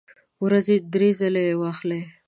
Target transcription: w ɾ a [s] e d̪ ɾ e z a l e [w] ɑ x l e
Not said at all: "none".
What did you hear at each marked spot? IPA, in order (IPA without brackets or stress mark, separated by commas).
z, w